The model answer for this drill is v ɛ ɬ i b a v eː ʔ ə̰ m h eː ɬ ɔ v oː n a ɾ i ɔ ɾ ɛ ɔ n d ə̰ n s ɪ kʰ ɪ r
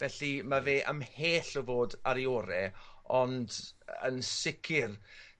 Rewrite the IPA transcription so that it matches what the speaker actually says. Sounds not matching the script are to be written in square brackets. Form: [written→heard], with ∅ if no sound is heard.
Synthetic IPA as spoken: v ɛ ɬ i [b→m] a v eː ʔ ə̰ m h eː ɬ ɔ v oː [n→d] a ɾ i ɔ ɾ ɛ ɔ n d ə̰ n s ɪ kʰ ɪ r